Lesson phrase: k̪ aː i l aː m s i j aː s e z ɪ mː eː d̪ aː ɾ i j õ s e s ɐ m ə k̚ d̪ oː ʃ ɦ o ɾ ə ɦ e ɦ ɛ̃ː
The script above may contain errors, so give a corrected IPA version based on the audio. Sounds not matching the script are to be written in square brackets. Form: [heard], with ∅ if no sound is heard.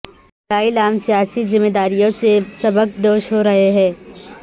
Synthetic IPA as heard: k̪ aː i l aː m s i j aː s [i] z ɪ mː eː d̪ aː ɾ i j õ s e s ɐ [b] ə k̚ d̪ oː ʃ ɦ o ɾ [ɐ] ɦ e ɦ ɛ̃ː